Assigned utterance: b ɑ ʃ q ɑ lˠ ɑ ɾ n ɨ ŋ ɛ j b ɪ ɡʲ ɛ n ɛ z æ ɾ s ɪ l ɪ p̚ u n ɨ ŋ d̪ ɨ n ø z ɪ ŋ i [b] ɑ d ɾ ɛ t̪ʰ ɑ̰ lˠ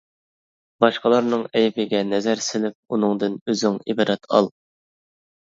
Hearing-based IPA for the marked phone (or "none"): b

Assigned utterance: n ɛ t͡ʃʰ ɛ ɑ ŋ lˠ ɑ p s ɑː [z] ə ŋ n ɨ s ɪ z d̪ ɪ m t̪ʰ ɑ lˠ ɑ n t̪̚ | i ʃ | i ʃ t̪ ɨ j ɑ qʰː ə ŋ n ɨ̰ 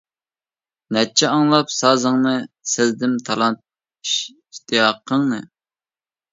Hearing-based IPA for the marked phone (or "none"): z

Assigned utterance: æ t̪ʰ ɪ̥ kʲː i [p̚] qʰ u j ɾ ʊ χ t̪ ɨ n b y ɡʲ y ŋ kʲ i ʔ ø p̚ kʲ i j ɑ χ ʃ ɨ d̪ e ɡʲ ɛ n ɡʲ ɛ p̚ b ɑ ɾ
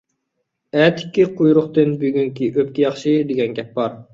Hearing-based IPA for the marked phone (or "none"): none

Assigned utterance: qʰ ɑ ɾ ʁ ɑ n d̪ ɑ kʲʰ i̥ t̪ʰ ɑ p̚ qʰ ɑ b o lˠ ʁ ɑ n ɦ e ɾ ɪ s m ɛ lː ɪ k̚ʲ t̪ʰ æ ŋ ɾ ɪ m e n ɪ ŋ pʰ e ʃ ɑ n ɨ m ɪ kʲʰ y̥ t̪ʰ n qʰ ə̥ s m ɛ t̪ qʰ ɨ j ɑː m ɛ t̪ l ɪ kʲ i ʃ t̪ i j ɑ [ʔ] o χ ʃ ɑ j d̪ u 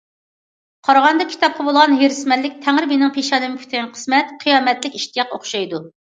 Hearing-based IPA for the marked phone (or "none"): q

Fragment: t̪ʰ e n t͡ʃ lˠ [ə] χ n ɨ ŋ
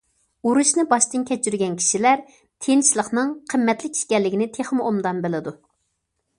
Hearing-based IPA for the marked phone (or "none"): ə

